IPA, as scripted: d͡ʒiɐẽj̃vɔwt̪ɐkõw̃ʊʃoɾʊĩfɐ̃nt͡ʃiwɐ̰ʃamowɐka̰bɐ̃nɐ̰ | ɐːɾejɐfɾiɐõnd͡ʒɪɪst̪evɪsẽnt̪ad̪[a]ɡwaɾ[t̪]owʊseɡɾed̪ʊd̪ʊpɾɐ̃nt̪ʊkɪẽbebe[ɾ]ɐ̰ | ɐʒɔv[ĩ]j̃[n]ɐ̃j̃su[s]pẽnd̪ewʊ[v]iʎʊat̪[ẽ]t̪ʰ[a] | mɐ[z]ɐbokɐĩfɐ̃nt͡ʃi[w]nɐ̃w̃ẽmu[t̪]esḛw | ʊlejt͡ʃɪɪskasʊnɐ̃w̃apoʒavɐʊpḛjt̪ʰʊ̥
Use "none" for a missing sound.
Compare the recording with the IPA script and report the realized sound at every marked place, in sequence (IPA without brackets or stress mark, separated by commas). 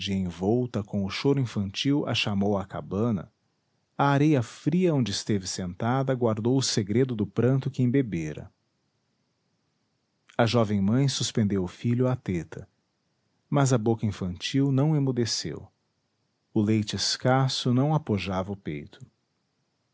ɐ, d̪, ɾ, ẽ, m, s, f, e, ɐ, z, w, d̪